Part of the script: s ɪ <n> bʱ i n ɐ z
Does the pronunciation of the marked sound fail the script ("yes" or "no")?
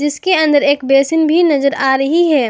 no